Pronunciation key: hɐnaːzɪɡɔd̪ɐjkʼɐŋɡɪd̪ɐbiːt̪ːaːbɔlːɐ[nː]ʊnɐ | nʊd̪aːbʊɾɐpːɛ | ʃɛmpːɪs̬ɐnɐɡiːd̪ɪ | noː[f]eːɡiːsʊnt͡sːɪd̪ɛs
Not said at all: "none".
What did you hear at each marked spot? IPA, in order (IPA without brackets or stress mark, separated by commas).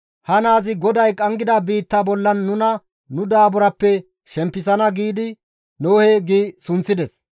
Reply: nː, h